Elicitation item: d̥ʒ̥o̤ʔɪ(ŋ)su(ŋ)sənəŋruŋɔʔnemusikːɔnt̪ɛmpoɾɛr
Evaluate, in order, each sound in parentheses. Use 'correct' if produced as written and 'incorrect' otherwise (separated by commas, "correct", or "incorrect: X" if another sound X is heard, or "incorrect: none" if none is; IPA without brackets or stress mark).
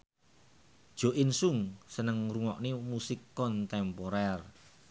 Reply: incorrect: n, correct